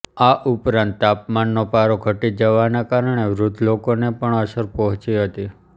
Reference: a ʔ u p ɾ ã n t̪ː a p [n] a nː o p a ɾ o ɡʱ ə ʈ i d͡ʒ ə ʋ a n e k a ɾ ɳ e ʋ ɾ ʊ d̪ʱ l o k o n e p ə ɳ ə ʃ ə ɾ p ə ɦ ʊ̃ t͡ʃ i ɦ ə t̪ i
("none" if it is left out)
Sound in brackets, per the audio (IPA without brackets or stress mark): m